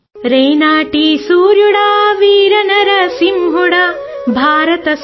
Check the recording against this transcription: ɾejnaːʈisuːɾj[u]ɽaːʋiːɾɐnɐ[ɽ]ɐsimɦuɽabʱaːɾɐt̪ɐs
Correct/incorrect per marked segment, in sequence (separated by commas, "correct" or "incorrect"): correct, incorrect